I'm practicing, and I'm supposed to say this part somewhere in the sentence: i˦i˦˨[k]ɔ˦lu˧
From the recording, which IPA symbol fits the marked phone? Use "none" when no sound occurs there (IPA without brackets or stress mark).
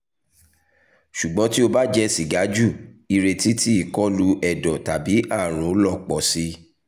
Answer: k